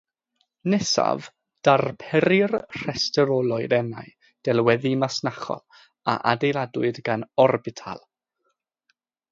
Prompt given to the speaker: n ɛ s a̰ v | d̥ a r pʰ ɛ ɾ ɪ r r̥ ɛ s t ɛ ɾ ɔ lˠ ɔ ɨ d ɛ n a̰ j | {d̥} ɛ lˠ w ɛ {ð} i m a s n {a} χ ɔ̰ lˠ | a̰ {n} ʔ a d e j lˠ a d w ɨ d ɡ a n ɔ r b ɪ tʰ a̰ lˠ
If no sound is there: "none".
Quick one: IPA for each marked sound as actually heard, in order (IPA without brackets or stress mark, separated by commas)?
d̥, ð, a, none